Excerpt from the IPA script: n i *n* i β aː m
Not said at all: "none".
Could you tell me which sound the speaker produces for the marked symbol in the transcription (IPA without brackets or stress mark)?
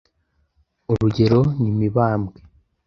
m